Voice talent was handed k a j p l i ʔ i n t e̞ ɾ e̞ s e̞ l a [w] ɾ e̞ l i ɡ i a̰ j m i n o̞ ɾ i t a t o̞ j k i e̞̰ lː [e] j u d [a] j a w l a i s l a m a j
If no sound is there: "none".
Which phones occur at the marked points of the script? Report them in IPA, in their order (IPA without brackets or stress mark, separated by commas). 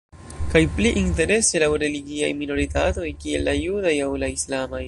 w, a, a